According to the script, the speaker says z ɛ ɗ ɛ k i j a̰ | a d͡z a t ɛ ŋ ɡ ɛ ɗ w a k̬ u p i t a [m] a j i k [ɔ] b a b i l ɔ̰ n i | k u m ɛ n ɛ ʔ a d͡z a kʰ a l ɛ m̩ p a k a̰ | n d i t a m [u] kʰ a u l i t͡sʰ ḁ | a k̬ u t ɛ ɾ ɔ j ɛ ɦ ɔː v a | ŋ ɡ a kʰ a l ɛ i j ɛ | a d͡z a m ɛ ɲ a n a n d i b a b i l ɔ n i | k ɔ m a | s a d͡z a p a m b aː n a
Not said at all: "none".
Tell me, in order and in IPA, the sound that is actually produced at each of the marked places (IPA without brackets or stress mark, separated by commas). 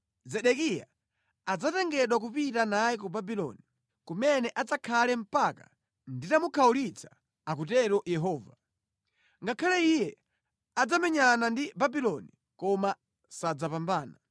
n, u, u